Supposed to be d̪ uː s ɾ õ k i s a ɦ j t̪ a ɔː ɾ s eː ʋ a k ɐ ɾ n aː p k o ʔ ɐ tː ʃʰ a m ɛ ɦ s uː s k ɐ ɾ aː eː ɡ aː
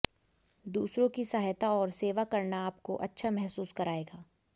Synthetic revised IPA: d̪ uː s ɾ õ k i s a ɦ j t̪ a ɔː ɾ s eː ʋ a k ɐ ɾ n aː p k o ʔ ɐ tː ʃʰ a m ɛ ɦ s uː s k ɐ ɾ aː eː ɡ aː